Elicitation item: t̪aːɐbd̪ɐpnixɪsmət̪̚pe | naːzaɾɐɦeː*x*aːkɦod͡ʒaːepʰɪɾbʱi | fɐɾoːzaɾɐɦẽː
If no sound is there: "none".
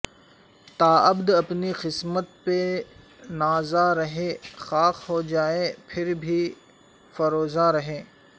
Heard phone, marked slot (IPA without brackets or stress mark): x